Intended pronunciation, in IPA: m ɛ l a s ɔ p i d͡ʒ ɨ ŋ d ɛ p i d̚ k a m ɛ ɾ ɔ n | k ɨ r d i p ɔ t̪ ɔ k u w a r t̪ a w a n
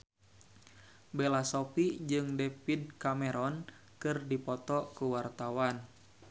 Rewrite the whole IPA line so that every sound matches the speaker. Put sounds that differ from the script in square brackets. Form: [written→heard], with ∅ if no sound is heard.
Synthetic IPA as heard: [m→b] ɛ l a s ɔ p i d͡ʒ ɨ ŋ d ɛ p i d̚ k a m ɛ ɾ ɔ n | k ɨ r d i p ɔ t̪ ɔ k u w a r t̪ a w a n